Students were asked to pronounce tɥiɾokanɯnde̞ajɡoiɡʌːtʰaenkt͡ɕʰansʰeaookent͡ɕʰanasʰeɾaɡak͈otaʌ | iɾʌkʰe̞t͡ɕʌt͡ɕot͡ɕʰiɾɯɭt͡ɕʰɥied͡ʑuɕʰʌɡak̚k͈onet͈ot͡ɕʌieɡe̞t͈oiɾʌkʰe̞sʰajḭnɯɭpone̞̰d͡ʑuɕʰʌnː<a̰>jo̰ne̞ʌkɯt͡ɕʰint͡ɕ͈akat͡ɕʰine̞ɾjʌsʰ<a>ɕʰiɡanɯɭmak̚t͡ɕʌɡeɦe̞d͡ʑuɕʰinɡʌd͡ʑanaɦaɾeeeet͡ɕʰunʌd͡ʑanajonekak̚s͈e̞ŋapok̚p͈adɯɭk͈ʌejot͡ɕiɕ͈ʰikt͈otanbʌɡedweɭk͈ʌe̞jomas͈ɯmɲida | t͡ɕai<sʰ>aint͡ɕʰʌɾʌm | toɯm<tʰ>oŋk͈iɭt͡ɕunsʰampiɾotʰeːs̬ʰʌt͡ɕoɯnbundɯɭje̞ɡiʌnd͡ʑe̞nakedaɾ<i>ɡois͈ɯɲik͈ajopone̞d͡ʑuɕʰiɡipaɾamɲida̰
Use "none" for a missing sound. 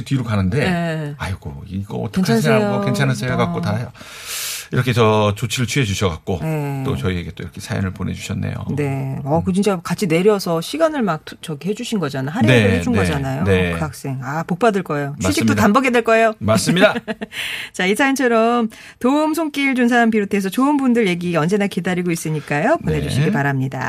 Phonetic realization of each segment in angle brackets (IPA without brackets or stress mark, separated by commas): ḛ, ʌ, sʰ, sʰ, i